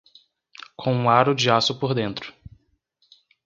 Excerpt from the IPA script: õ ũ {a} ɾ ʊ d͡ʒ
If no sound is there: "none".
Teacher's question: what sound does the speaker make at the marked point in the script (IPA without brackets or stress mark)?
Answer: a